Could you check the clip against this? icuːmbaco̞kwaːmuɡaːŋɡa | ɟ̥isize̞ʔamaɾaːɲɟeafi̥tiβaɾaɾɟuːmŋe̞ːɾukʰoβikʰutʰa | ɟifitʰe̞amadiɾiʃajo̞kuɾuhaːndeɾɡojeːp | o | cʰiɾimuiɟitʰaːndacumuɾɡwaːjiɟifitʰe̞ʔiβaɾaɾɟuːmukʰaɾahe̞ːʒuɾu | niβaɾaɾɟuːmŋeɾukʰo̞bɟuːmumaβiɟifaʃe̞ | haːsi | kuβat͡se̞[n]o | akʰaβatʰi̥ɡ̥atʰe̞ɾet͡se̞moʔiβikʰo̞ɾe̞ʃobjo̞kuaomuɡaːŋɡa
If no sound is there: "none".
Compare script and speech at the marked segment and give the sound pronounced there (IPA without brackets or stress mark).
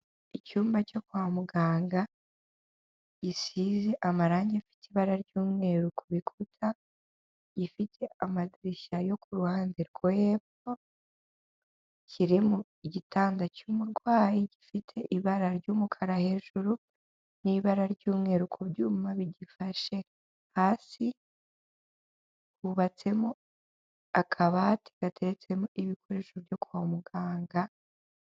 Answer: m